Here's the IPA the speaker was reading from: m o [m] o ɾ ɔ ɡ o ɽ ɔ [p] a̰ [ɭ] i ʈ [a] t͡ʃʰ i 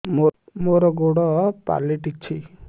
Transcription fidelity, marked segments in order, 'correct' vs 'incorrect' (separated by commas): correct, correct, incorrect, incorrect